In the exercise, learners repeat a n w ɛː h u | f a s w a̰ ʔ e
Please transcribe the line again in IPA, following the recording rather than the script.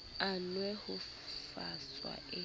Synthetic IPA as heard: a n w ɛ h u | f a s w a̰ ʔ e